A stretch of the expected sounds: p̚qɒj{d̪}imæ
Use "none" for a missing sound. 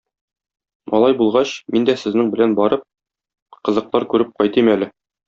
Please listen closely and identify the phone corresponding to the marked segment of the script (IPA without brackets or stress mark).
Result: t̪